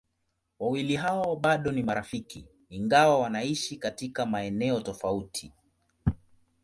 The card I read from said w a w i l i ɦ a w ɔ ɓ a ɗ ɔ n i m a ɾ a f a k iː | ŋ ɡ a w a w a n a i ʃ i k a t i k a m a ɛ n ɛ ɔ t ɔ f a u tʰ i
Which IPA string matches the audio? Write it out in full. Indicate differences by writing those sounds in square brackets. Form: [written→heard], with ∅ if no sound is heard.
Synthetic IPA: w a w i l i ɦ a w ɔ ɓ a ɗ ɔ n i m a ɾ a f [a→i] k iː | ŋ ɡ a w a w a n a i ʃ i k a t i k a m a ɛ n ɛ ɔ t ɔ f a u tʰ i